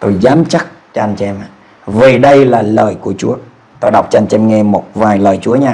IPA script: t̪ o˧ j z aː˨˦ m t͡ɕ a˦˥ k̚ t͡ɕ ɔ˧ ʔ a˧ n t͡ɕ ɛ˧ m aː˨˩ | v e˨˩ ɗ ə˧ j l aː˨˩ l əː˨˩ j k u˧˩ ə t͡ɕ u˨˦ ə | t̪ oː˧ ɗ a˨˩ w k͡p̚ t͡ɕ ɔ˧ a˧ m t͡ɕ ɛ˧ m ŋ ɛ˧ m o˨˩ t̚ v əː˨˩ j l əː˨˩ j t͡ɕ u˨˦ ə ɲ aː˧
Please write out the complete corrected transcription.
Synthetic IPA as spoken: t̪ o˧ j z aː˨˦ m t͡ɕ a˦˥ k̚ t͡ɕ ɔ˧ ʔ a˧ n t͡ɕ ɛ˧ m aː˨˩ | v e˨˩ ɗ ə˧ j l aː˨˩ l əː˨˩ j k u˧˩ ə t͡ɕ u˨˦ ə | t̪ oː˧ ɗ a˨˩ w k͡p̚ t͡ɕ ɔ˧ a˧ n t͡ɕ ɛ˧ m ŋ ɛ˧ m o˨˩ t̚ v aː˨˩ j l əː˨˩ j t͡ɕ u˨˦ ə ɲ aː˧